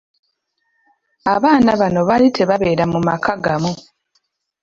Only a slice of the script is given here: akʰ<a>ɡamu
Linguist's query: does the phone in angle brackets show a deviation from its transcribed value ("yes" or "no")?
no